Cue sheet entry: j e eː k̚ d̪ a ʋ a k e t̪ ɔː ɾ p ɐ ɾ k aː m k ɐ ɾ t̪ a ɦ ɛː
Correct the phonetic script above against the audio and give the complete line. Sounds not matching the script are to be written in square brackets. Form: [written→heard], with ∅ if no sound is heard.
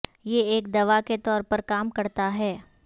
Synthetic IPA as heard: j e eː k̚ d̪ [a→ɐ] ʋ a k e t̪ ɔː ɾ p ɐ ɾ k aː m k ɐ ɾ t̪ a ɦ ɛː